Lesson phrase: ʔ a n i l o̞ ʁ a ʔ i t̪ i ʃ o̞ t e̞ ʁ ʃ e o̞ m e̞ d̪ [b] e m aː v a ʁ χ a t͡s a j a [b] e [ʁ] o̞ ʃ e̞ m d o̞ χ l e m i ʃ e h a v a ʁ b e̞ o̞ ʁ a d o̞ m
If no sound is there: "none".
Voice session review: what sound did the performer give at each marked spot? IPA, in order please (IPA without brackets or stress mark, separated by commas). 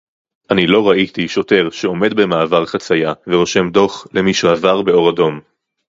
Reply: b, v, ʁ